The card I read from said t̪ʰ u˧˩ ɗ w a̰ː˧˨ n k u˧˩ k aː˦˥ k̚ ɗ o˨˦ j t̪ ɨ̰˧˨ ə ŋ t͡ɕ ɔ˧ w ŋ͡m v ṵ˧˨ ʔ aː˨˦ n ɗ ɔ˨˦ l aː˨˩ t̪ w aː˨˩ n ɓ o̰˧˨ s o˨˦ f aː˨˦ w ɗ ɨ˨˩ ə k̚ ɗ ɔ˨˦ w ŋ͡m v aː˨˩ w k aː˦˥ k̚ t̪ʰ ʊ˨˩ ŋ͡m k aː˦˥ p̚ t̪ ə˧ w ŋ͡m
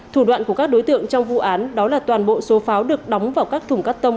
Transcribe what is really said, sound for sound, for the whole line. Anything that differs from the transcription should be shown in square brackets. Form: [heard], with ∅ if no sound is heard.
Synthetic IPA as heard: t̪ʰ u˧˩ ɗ w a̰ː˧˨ n k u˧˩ k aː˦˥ k̚ ɗ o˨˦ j t̪ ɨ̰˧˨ ə ŋ t͡ɕ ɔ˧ w ŋ͡m v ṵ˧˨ ʔ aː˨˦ n ɗ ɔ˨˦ l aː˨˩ t̪ w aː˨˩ n ɓ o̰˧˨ s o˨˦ f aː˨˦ w ɗ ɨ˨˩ ə k̚ ɗ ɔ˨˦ w ŋ͡m v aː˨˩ w k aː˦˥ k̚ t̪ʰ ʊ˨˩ ŋ͡m k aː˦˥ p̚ t̪ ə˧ w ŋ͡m